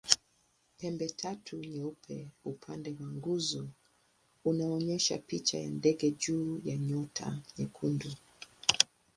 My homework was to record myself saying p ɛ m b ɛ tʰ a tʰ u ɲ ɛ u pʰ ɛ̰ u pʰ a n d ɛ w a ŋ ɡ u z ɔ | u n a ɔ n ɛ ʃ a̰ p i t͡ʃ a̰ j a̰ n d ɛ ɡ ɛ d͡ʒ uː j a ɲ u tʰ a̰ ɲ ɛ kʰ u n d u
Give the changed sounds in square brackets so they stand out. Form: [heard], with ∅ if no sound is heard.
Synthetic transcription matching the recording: p ɛ m b ɛ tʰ a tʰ u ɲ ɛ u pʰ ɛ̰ u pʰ a n d ɛ w a ŋ ɡ u z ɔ | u n a ɔ [ɲ] ɛ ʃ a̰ p i t͡ʃ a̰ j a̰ n d ɛ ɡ ɛ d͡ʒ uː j a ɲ [ɔ] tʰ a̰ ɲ ɛ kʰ u n d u